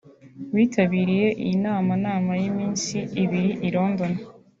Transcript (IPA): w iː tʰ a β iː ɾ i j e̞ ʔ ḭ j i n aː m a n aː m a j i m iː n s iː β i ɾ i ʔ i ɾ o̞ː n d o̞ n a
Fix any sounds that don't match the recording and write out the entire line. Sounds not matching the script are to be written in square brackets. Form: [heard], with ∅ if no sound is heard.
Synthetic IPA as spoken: w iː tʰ a β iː ɾ i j e̞ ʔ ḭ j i n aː m a n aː m a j i m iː n s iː β i ɾ i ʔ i ɾ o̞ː n d o̞ n a